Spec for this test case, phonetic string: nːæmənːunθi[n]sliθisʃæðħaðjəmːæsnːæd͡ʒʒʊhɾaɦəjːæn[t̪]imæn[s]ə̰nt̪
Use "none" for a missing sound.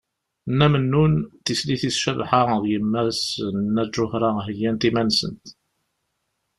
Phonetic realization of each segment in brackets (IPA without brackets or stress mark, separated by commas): none, t̪, s